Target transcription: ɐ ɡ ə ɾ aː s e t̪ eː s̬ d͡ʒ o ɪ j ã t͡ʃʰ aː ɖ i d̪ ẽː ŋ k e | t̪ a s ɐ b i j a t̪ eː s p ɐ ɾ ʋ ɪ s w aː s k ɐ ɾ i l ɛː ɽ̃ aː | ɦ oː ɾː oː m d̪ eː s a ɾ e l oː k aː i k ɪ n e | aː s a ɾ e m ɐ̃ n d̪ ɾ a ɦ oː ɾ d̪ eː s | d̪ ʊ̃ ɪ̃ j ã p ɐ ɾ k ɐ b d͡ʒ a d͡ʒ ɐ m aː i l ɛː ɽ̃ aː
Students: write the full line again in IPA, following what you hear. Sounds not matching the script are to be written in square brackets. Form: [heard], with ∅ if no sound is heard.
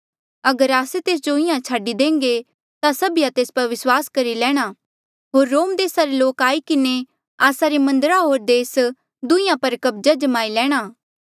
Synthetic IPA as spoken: ɐ ɡ ə ɾ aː s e t̪ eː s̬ d͡ʒ o ɪ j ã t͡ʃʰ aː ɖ i d̪ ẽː ŋ [ɡ] e | t̪ a s ɐ b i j a t̪ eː s p ɐ ɾ ʋ ɪ s w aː s k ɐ ɾ i l ɛː ɽ̃ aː | ɦ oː ɾː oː m d̪ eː s a ɾ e l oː k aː i k ɪ n e | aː s a ɾ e m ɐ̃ n d̪ ɾ a ɦ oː ɾ d̪ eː s | d̪ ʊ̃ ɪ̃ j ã p ɐ ɾ k ɐ b d͡ʒ a d͡ʒ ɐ m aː i l ɛː ɽ̃ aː